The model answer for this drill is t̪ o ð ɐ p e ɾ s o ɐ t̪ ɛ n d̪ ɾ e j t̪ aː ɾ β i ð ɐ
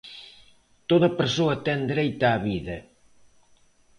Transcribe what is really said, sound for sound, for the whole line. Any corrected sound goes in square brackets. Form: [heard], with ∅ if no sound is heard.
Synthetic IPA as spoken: t̪ o ð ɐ p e ɾ s o ɐ t̪ ɛ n d̪ ɾ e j t̪ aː [∅] β i ð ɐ